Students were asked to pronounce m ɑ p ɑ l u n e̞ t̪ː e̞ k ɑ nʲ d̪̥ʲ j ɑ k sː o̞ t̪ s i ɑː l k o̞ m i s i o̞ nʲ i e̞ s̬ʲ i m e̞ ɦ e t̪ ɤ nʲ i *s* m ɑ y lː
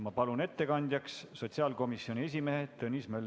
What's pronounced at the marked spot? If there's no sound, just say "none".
s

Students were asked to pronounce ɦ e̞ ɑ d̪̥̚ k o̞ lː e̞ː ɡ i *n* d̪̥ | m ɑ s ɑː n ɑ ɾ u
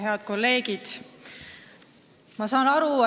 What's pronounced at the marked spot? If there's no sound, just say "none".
none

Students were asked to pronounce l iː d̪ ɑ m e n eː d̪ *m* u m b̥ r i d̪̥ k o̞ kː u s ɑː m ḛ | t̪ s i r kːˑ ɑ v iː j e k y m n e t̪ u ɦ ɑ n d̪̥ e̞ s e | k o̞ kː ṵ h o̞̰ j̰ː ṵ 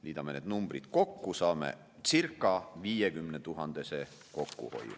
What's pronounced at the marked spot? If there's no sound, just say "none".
n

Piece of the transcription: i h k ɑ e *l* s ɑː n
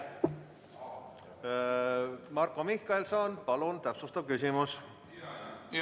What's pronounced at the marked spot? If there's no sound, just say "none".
l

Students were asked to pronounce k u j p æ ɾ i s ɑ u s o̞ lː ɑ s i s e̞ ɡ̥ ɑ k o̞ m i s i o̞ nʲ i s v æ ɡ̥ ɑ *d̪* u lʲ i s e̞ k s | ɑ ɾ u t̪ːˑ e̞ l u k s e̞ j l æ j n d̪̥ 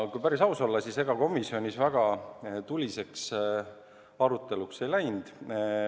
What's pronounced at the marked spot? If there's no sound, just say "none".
t̪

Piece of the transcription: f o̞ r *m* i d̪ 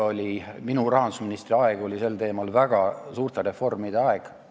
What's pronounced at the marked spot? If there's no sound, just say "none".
m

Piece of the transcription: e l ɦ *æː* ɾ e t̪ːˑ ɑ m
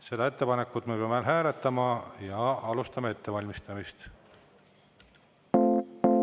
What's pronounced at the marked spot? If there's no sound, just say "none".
æː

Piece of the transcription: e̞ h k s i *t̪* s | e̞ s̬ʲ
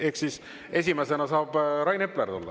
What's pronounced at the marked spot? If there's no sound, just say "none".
none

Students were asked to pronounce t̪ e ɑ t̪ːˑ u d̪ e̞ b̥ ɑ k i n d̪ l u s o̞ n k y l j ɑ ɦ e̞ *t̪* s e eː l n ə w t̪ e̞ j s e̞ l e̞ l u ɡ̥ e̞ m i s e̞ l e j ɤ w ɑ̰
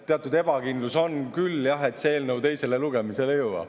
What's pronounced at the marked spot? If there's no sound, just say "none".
t̪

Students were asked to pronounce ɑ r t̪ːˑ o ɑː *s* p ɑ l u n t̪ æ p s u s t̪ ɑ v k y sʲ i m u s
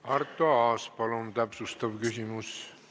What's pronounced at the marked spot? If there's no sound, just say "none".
s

